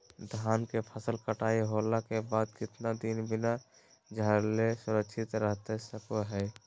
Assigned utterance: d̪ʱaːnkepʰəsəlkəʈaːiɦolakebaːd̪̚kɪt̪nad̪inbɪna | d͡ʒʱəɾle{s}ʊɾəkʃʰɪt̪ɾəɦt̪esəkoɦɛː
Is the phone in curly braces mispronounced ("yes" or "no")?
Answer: no